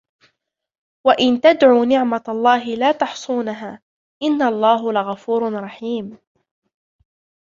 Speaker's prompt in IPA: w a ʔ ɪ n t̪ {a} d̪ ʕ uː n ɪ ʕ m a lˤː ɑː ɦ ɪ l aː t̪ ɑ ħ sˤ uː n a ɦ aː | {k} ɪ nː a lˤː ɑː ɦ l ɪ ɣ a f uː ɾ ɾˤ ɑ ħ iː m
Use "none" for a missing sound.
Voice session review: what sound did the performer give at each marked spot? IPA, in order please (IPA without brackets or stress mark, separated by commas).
a, ʔ